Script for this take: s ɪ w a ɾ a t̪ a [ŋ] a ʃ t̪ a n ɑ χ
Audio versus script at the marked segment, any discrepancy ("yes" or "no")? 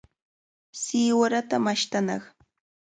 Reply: yes